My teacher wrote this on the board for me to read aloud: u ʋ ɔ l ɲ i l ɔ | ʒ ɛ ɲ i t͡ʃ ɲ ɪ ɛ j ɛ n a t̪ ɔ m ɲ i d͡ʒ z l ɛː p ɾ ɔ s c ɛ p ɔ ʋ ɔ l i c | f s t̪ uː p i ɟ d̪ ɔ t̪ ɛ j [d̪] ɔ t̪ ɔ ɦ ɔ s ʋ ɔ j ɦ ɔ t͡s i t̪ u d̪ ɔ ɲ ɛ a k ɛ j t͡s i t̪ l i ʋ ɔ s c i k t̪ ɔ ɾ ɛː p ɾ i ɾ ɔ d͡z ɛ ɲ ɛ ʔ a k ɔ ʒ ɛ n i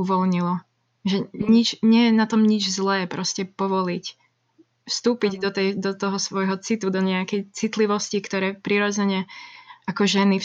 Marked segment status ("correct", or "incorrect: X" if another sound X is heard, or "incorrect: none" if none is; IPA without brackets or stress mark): correct